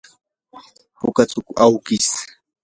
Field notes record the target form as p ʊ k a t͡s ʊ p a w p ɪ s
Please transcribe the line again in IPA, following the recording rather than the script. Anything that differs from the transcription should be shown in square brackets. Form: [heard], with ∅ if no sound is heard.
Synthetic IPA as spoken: p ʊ k a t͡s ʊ [k] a w [k] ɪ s